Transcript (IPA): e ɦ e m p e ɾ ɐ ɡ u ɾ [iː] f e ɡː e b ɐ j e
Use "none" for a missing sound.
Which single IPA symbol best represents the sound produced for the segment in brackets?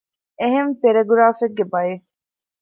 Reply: aː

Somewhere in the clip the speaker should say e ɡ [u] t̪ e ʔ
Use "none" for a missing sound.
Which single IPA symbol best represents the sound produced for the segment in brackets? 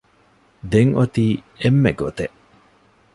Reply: o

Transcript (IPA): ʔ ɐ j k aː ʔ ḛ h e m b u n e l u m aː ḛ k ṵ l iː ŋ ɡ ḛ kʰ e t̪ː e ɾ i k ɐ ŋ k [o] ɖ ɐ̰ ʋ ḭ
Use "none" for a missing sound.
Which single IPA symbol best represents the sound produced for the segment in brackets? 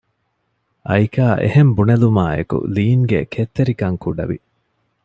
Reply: u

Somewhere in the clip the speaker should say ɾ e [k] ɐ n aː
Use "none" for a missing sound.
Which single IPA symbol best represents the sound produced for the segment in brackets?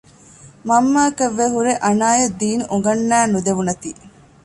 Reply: ʔ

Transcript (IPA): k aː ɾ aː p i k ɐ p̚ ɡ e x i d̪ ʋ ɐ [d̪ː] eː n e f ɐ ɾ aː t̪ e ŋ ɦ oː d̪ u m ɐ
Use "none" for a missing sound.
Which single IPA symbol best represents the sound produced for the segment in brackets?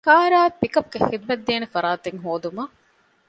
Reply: d̪ː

